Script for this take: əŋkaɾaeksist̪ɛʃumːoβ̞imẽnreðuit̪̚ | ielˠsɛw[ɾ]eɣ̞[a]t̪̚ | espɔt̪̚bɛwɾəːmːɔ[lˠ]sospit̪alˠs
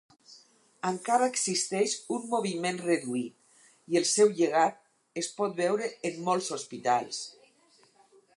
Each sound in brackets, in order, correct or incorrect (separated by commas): incorrect, correct, correct